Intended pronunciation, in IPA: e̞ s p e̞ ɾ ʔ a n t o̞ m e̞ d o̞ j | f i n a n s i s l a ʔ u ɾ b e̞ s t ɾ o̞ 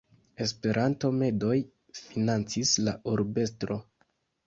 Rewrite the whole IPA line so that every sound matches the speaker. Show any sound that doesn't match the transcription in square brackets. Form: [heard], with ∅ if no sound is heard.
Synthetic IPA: e̞ s p e̞ ɾ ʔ a n t o̞ m e̞ d o̞ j | f i n a n [t͡s] i s l a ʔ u ɾ b e̞ s t ɾ o̞